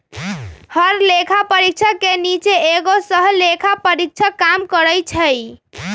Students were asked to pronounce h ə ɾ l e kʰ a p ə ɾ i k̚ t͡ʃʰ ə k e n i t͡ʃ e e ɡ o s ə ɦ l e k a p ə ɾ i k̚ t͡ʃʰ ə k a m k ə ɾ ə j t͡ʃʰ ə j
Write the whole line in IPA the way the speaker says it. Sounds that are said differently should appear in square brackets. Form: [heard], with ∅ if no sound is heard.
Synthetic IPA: h ə ɾ l e kʰ a p ə ɾ i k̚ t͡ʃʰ ə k e n i t͡ʃ e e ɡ o s ə ɦ l e [kʰ] a p ə ɾ i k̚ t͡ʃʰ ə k a m k ə ɾ ə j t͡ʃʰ ə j